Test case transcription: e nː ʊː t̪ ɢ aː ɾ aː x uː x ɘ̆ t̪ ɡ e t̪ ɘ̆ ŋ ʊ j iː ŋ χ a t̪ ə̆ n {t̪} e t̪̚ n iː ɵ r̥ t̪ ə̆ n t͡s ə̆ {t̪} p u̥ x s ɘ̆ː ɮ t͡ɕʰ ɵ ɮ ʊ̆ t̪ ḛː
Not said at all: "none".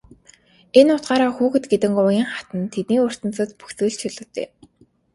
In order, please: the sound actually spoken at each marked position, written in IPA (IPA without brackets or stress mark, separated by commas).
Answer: t̪ʰ, t̪